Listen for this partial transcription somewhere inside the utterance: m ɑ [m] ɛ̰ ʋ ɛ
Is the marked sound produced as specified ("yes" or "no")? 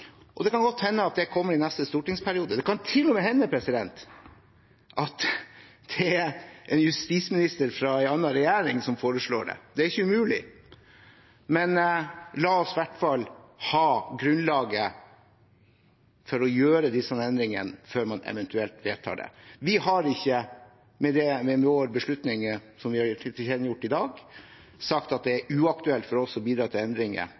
no